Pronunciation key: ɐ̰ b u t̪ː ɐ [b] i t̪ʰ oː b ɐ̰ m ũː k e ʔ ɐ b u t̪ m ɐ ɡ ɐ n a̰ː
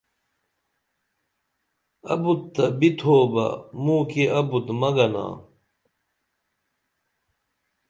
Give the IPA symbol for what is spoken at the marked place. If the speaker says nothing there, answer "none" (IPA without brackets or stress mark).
b